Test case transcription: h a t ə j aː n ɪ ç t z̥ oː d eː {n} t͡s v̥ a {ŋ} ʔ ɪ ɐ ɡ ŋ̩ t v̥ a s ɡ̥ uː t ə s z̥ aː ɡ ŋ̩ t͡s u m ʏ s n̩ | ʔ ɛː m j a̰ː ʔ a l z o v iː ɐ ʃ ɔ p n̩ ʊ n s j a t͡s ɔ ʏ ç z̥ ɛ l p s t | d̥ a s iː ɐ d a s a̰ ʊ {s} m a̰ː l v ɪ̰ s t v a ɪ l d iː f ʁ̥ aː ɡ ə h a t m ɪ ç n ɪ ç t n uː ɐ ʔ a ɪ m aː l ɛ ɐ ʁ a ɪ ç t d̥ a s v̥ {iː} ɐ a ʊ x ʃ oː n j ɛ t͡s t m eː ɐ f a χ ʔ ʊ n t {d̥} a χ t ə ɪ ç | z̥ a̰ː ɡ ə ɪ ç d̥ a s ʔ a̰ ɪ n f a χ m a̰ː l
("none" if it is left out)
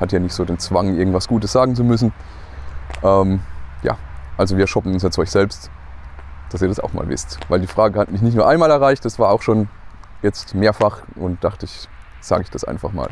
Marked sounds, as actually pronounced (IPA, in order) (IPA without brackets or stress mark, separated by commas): n, ŋ, x, aː, d̥